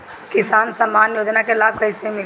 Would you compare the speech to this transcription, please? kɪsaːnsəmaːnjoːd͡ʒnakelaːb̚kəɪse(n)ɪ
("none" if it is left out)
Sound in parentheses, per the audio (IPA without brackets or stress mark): m